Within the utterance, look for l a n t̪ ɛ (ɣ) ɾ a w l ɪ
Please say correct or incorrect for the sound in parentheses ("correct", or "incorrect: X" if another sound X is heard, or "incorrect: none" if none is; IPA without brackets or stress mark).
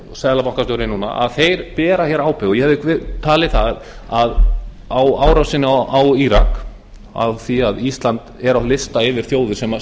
incorrect: none